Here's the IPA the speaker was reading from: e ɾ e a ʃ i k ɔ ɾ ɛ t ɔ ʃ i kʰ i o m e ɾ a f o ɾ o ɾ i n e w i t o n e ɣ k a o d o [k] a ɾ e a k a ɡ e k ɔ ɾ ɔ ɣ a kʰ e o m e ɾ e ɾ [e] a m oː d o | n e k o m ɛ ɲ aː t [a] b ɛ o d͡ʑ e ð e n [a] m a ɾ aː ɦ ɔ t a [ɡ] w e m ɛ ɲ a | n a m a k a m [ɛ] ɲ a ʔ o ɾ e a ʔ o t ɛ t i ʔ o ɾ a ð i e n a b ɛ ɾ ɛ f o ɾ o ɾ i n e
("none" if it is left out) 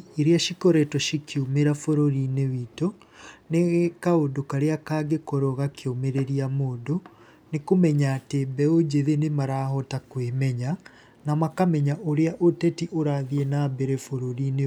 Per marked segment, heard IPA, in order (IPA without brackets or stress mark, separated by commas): k, i, e, e, k, ɛ